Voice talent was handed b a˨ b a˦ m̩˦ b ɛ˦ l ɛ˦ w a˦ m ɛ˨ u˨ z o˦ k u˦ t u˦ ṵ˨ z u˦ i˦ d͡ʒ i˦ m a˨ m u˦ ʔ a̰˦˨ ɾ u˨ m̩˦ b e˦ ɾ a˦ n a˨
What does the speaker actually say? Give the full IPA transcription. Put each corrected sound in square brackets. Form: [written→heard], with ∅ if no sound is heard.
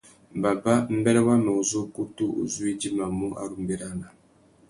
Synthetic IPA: b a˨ b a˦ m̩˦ b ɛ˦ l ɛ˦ w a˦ m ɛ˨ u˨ z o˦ k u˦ t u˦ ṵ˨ z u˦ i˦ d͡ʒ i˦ m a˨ m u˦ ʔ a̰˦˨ ɾ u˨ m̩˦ b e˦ ɾ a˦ n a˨